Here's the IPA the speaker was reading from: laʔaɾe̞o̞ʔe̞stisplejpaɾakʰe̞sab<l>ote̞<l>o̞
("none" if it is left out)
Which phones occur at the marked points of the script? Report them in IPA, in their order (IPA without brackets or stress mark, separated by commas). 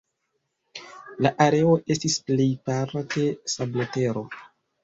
l, ɾ